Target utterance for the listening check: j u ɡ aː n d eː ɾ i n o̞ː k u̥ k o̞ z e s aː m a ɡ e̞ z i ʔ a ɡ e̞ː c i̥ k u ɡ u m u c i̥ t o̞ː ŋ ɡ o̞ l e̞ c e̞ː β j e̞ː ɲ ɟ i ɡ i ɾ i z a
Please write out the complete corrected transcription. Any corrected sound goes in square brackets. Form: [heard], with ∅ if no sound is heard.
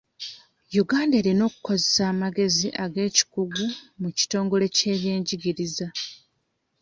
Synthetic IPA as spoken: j u ɡ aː n d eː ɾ i n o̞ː k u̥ k o̞ z e s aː m a ɡ e̞ z i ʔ a ɡ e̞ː c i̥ k u ɡ u m u c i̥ t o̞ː ŋ ɡ o̞ l e̞ c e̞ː β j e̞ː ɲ ɟ i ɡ i ɾ i z a